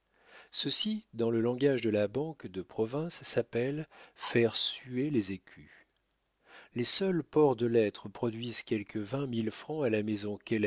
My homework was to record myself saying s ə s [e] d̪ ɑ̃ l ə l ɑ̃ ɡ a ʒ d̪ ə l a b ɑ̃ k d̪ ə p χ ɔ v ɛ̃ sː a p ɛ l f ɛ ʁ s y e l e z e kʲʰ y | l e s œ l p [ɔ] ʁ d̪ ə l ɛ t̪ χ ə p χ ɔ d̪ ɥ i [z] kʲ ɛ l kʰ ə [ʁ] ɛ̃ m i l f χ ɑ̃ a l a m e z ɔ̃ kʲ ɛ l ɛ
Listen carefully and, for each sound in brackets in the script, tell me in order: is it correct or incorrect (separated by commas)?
incorrect, correct, correct, incorrect